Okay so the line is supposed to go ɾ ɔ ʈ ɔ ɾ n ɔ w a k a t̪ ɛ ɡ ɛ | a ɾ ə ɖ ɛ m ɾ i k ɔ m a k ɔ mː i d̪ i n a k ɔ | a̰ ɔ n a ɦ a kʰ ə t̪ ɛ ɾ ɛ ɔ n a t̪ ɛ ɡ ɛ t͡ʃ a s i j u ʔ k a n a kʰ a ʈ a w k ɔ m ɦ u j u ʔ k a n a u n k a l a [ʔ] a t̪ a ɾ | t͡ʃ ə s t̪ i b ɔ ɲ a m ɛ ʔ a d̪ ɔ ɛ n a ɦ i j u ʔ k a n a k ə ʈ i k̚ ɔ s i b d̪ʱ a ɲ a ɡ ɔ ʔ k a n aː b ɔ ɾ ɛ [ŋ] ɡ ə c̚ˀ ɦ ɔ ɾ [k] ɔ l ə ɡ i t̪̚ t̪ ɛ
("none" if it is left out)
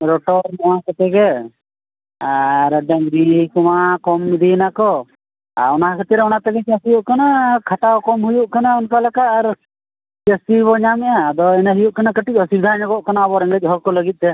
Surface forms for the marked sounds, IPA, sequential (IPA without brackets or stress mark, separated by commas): k, ŋ, k